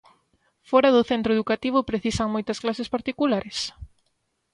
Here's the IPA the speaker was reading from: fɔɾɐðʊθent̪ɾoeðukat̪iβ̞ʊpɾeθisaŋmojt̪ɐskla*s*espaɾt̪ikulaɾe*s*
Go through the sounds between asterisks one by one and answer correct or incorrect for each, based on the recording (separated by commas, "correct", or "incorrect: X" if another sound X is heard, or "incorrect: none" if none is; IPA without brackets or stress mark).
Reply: correct, correct